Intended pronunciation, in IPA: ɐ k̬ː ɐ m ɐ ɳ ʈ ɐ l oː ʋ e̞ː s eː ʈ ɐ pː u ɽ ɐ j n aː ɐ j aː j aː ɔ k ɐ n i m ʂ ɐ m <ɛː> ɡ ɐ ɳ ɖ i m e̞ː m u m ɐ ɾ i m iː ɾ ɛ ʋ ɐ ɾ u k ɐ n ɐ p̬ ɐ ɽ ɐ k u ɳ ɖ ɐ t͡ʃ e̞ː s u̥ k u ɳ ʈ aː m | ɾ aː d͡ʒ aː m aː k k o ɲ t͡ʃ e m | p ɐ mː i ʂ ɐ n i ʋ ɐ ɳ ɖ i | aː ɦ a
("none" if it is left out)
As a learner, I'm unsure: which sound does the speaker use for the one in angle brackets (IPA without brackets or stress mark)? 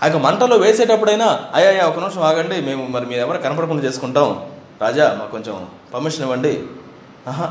aː